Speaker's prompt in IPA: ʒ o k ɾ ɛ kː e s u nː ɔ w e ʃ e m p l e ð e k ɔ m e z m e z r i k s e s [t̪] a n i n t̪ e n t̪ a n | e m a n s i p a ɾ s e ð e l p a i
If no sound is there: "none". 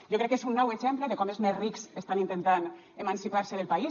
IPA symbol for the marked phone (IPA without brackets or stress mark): t̪